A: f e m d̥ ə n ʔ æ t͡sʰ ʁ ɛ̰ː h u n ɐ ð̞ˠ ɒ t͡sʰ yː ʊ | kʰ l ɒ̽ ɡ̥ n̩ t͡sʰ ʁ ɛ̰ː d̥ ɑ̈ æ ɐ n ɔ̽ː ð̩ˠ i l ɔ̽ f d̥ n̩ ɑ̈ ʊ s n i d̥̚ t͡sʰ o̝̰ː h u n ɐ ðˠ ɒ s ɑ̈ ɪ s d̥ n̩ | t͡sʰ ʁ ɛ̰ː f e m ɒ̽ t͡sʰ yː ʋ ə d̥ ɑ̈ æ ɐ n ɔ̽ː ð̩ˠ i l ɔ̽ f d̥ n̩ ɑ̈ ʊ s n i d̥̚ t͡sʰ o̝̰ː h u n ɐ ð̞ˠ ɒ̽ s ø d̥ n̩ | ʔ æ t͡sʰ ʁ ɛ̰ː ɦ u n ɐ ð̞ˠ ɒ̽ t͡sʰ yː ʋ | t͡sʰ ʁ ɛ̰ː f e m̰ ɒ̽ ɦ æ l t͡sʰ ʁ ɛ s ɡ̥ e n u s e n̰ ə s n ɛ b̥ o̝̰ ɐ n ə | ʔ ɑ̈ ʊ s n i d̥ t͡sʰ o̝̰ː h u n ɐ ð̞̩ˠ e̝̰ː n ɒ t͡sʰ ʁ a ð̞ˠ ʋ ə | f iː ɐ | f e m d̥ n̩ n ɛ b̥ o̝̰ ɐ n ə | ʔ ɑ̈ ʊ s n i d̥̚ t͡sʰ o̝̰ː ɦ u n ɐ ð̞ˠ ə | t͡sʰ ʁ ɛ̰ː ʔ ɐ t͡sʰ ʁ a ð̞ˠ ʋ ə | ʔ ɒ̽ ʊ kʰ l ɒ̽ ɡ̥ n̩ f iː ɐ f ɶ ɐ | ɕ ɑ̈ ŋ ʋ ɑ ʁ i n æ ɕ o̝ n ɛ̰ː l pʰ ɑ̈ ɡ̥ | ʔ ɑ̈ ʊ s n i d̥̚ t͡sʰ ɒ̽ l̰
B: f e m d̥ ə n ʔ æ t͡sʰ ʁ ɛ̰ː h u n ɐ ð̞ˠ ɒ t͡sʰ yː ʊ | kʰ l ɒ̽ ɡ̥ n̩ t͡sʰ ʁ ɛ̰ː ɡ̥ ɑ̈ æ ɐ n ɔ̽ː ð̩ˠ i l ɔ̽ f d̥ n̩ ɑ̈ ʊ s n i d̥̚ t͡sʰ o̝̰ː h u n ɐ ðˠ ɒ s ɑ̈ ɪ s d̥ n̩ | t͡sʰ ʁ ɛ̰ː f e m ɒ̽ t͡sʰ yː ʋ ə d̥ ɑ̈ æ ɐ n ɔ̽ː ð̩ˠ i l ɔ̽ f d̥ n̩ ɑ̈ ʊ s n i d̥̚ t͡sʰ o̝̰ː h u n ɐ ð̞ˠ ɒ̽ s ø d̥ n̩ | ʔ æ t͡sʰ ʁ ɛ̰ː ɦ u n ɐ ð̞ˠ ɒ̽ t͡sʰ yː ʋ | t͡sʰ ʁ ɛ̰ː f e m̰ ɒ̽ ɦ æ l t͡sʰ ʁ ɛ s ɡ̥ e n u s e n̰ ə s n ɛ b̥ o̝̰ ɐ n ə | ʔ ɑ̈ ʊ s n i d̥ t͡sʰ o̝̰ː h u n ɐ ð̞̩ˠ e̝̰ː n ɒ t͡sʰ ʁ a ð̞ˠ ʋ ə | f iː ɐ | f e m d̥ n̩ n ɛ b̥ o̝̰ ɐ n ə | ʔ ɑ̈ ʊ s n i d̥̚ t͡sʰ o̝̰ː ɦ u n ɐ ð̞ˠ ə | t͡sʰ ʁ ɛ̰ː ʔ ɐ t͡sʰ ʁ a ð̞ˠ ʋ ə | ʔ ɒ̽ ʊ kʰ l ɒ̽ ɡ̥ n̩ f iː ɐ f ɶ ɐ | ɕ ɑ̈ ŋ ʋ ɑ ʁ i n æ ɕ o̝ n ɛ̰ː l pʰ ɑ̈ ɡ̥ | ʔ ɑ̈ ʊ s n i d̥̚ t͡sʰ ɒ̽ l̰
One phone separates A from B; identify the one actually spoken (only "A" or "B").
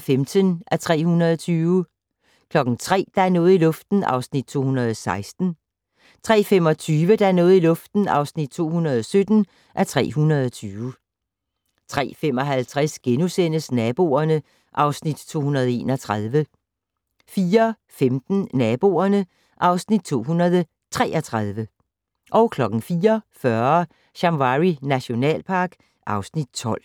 A